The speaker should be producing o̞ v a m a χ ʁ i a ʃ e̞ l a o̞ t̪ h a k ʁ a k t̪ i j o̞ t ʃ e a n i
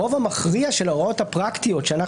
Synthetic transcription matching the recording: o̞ v a m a χ ʁ i a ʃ e̞ l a o̞ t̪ h a p ʁ a k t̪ i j o̞ t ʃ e a n a